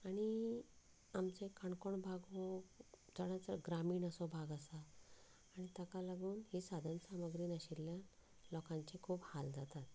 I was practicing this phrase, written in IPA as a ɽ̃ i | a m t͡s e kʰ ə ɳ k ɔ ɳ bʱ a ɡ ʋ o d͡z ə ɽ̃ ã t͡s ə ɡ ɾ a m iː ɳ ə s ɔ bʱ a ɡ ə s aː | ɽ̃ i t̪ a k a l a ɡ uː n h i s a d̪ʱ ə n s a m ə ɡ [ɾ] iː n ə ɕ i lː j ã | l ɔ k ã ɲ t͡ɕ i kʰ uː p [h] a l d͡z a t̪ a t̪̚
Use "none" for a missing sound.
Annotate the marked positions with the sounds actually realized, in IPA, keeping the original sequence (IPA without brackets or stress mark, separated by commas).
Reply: ɾ, h